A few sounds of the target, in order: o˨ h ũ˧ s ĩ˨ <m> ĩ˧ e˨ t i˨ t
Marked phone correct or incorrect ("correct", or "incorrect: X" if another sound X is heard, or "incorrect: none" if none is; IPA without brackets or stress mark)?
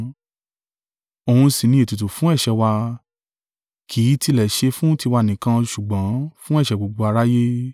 incorrect: n